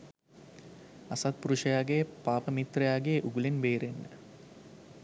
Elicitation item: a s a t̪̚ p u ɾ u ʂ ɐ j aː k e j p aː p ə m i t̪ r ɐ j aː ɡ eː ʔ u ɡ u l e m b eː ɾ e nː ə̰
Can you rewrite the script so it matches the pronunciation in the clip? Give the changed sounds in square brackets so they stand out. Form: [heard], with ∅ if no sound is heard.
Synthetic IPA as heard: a s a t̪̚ p u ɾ u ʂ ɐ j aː [ɡ] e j p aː p ə m i t̪ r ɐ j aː ɡ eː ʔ u ɡ u l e [n] b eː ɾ e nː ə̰